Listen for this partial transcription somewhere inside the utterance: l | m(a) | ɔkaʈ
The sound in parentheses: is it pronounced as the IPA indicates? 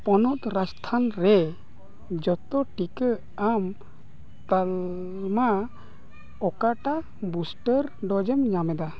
yes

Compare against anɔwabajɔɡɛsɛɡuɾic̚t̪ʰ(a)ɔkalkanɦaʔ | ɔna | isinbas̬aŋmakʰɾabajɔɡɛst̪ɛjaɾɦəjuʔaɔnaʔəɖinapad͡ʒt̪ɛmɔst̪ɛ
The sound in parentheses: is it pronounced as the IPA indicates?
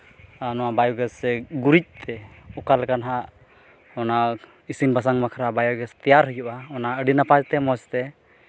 no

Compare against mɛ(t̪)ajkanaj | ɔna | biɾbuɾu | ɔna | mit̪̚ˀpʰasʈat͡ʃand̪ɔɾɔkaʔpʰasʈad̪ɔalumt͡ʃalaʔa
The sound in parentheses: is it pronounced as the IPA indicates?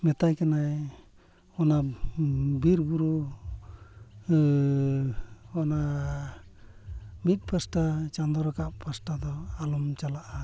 yes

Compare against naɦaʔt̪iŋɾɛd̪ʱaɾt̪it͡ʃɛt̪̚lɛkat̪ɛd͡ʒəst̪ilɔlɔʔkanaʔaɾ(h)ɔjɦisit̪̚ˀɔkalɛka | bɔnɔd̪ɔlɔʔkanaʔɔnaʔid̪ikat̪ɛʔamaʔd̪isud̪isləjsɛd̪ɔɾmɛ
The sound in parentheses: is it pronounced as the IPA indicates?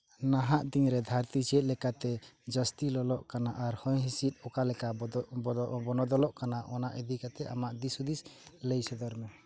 yes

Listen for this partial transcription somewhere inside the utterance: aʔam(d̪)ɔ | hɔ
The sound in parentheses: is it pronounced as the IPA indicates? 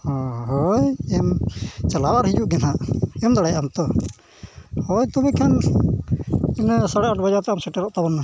no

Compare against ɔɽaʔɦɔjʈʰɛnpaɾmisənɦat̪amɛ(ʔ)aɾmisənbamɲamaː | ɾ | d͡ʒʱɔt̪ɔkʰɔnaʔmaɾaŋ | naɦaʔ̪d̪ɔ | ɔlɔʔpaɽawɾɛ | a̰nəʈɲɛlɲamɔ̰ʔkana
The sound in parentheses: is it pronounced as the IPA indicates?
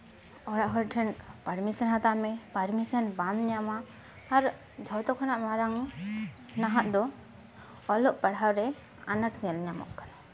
no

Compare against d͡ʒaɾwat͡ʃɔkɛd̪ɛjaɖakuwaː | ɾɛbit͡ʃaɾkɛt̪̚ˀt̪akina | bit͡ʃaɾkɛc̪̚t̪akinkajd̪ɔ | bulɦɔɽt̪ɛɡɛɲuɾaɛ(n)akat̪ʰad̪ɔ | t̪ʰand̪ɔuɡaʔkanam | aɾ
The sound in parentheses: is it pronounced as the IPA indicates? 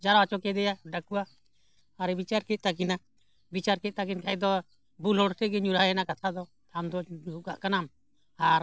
yes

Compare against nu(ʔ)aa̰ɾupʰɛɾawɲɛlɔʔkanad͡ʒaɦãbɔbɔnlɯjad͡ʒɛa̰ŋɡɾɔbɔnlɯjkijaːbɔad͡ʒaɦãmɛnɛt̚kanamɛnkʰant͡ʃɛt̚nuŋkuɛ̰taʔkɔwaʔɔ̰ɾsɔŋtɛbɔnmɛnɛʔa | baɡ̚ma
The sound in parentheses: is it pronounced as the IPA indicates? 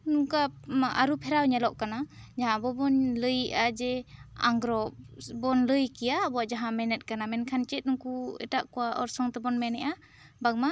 no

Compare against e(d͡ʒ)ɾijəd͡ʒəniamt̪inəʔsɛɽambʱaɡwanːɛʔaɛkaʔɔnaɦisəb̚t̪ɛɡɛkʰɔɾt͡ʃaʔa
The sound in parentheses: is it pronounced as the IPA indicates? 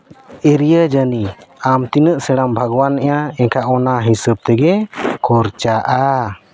no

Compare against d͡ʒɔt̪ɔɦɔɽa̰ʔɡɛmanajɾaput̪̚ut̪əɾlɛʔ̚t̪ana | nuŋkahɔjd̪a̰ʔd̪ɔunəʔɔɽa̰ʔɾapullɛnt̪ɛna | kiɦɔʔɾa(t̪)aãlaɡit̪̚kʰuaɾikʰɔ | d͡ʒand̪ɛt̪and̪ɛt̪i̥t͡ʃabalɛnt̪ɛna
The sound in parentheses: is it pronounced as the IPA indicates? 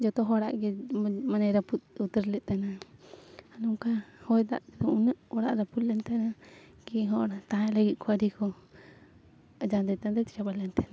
yes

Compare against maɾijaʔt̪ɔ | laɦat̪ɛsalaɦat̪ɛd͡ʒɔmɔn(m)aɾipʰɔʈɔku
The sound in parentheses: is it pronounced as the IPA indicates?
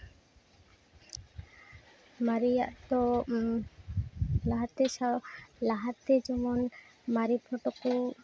yes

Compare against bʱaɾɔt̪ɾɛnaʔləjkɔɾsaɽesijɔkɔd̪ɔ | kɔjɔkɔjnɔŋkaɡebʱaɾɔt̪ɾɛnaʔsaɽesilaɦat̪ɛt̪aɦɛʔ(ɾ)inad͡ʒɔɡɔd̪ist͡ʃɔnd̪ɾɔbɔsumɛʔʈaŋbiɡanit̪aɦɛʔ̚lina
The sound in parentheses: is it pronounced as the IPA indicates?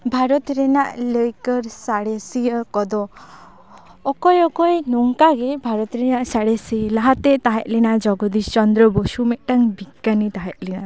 no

